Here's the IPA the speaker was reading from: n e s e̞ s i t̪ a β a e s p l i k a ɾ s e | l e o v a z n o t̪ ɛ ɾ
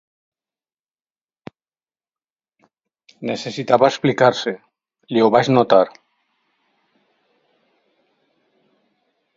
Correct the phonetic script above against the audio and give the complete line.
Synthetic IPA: n e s e̞ s i t̪ a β a e s p l i k a ɾ s e | l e o β a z n o t̪ a ɾ